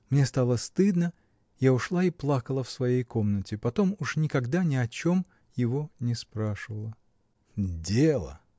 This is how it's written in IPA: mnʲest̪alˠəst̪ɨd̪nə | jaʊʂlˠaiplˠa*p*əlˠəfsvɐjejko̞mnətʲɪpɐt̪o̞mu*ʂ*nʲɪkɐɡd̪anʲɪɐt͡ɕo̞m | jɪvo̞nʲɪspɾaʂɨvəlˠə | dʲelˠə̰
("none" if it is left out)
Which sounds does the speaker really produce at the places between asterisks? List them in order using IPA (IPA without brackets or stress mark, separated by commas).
k, ʂ